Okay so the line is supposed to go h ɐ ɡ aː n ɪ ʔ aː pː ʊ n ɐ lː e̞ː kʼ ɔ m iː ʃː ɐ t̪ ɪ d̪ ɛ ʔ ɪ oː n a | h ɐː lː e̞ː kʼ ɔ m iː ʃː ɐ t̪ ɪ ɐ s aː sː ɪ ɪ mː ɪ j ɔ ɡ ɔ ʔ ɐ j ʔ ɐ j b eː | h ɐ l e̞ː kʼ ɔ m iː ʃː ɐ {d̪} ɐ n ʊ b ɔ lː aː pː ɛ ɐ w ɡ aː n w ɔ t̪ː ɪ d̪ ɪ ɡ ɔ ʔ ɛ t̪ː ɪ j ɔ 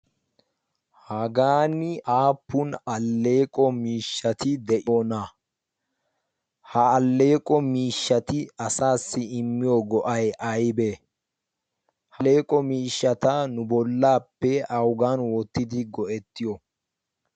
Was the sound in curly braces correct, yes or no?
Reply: no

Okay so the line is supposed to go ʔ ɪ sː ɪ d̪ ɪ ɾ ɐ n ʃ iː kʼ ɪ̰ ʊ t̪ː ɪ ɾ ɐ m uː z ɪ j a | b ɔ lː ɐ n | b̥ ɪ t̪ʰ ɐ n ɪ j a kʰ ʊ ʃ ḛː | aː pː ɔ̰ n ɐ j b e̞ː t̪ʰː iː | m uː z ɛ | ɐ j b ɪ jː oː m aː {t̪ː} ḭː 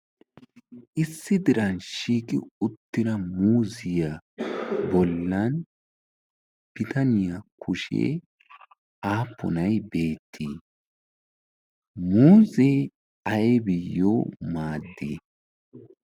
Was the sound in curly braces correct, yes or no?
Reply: no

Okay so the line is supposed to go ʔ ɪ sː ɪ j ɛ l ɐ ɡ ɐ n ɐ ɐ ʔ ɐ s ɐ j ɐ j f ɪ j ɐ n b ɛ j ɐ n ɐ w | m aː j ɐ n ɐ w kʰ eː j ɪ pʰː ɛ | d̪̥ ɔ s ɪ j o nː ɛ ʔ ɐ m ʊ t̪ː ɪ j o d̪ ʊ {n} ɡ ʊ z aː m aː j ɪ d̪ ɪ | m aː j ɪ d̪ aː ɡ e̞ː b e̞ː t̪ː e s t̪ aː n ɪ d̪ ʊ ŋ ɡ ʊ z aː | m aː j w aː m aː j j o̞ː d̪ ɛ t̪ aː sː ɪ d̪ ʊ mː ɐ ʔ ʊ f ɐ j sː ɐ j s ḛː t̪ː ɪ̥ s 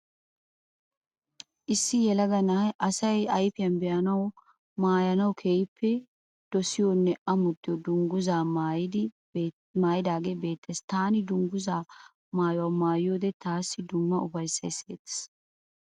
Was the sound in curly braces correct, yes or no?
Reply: no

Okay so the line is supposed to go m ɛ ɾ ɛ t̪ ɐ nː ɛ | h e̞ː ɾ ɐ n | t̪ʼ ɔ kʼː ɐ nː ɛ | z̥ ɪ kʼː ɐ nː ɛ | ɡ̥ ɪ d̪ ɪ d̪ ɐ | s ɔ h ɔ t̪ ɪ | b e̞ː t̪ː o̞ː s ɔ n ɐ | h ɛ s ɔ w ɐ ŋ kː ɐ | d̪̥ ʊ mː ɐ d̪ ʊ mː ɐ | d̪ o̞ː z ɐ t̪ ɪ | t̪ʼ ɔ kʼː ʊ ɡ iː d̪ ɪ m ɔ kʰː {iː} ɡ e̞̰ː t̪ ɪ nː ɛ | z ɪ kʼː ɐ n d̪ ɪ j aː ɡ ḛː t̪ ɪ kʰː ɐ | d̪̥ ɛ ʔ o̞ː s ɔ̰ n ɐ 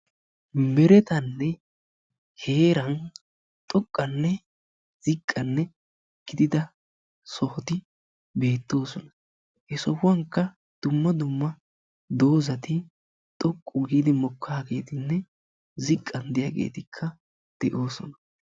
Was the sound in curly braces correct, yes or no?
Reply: no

